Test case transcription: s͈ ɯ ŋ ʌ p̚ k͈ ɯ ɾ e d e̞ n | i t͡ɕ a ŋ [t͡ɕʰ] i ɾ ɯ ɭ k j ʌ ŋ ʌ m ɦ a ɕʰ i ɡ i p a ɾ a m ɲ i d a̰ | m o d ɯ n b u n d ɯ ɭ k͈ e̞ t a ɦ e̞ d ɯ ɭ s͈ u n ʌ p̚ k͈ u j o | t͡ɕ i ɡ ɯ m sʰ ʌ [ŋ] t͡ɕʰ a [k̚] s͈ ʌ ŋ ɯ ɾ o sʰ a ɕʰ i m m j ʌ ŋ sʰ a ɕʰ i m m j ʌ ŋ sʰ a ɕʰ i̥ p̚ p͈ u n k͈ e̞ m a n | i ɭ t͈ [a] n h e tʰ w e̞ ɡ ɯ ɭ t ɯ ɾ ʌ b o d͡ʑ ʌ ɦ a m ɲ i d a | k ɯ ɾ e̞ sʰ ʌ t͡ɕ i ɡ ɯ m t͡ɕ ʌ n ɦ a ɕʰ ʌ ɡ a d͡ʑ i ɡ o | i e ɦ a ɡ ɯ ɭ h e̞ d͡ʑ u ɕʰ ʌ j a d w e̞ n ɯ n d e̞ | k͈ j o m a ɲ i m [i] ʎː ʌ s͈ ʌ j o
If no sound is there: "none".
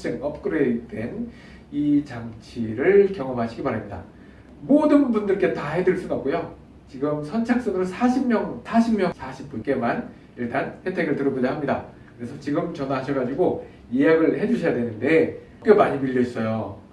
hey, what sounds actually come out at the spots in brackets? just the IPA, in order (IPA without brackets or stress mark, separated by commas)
t͡ɕʰ, n, k̚, a, i